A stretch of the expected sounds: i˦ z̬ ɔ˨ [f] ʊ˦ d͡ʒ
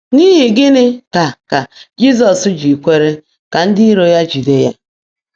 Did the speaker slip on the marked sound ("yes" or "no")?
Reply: yes